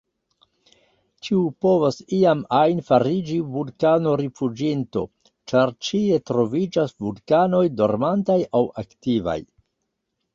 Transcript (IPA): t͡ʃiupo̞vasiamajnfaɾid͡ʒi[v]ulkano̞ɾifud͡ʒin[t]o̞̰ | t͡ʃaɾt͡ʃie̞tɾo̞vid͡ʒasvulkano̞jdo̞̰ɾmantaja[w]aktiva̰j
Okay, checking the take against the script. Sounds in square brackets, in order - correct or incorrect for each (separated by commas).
correct, correct, correct